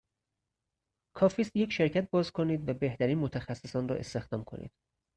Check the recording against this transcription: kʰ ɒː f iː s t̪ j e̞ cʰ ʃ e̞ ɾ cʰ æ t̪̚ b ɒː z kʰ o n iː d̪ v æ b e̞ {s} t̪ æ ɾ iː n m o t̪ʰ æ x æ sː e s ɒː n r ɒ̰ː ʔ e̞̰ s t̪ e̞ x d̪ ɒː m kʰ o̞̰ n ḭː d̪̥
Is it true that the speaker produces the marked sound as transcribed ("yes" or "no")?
no